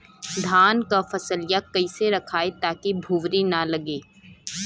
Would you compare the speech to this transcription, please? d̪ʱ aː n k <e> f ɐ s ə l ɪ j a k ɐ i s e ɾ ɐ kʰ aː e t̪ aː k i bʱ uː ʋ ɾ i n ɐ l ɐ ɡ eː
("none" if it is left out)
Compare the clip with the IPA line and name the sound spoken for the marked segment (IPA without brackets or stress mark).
a